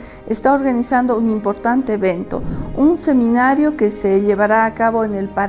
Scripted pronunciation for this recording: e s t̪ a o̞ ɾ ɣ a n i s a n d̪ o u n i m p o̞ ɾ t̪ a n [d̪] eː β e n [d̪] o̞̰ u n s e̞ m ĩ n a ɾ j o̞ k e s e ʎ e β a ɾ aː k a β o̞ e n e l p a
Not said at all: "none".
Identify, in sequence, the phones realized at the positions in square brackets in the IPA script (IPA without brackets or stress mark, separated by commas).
t̪, t̪